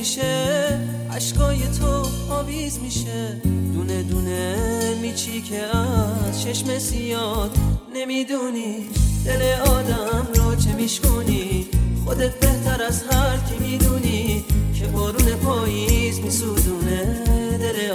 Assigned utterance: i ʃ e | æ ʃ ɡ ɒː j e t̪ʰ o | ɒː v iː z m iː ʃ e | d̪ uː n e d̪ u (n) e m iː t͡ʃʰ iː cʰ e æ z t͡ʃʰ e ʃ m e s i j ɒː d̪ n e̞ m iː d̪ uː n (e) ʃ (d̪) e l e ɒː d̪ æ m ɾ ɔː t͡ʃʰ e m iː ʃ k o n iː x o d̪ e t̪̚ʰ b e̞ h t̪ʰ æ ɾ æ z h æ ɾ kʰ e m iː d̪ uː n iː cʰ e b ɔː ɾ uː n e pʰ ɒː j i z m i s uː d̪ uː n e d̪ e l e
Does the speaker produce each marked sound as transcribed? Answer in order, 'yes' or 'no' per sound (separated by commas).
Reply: yes, no, yes